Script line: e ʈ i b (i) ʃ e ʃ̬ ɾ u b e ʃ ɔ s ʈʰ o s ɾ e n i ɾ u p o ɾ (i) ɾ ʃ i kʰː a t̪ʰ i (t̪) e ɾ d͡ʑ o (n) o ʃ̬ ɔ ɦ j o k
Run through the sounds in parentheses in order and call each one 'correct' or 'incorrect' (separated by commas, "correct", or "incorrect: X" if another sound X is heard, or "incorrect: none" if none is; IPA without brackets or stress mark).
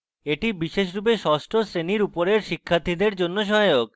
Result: correct, incorrect: e, incorrect: d̪, incorrect: nː